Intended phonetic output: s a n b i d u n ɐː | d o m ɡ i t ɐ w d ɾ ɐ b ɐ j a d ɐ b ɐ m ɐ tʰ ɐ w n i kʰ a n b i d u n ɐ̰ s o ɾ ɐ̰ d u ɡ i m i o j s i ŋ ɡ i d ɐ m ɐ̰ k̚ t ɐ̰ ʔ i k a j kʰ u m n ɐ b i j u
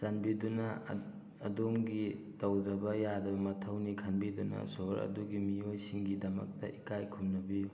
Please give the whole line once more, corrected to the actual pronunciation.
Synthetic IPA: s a n b i d u n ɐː | d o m ɡ i t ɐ w d ɾ ɐ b ɐ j a d ɐ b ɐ m ɐ tʰ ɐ w n i kʰ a n b i d u n ɐ̰ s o ɾ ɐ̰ d u ɡ i m i o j s i ŋ ɡ i d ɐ m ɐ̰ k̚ t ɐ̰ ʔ i k a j kʰ u m n ɐ b i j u